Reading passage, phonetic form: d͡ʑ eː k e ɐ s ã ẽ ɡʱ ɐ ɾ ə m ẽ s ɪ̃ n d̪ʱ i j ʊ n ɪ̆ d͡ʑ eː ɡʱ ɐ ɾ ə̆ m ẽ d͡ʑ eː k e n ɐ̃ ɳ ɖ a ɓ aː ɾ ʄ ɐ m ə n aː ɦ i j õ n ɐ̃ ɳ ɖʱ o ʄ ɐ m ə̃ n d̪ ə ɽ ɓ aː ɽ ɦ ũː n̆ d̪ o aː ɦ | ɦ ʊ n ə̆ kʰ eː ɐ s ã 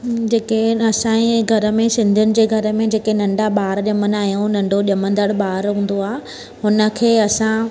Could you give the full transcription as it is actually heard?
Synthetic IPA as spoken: d͡ʑ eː k e ɐ s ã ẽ ɡʱ ɐ ɾ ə m ẽ s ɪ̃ n d̪ʱ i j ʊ n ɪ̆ d͡ʑ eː ɡʱ ɐ ɾ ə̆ m ẽ d͡ʑ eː k e n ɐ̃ ɳ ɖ a ɓ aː ɾ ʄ ɐ m ə n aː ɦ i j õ n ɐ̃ ɳ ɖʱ o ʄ ɐ m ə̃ n d̪ ə ɽ ɓ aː ɾ ɦ ũː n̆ d̪ o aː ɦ | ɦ ʊ n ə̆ kʰ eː ɐ s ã